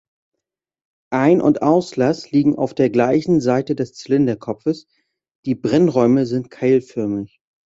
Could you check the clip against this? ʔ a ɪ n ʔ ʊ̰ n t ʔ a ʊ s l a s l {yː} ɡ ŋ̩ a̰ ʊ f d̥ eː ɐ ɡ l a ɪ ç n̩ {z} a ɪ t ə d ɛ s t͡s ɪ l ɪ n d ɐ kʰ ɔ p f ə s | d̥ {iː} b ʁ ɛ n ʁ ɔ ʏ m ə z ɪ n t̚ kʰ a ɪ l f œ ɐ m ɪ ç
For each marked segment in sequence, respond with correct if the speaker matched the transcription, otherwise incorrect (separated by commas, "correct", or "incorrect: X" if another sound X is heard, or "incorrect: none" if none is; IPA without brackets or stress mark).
incorrect: iː, correct, correct